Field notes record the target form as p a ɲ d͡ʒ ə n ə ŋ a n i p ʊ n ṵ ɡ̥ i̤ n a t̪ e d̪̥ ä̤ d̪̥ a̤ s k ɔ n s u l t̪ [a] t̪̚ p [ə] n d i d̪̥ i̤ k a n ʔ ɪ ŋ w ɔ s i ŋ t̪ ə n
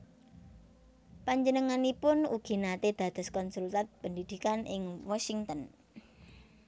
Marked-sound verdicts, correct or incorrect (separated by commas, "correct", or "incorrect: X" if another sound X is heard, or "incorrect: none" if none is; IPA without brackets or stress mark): correct, correct